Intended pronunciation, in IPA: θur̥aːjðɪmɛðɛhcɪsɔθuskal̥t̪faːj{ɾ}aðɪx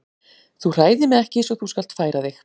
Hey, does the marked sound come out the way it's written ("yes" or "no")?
yes